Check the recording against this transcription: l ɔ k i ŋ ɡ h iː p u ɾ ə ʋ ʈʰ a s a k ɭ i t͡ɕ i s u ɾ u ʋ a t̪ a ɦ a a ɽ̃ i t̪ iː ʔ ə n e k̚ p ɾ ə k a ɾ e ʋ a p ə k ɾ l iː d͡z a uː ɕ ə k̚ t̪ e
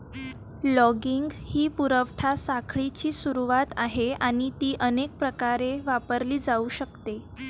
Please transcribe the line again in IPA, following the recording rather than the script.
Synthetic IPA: l ɔ ɡ i ŋ ɡ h iː p u ɾ ə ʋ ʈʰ a s a kʰ ɭ i t͡ɕ iː s u ɾ u ʋ a t̪ a ɦ e a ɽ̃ i t̪ iː ʔ ə n e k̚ p ɾ ə k a ɾ e ʋ a p ə ɾ l iː d͡z a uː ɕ ə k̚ t̪ e